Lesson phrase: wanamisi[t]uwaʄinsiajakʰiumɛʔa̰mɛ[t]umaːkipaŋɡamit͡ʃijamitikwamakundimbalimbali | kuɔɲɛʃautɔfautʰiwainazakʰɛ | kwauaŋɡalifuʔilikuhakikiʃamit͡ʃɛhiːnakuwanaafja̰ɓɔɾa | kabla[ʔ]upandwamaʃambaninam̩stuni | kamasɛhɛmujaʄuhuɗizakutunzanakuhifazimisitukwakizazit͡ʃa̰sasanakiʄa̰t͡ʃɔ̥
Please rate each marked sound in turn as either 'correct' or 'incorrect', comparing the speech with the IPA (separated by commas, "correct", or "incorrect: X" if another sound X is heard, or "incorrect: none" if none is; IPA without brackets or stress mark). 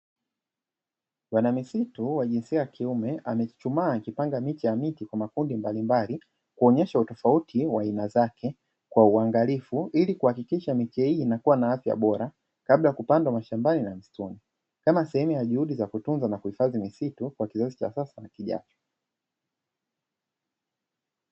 correct, incorrect: t͡ʃ, incorrect: k